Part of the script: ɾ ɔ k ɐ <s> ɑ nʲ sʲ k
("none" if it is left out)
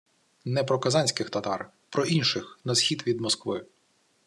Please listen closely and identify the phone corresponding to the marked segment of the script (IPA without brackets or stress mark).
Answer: z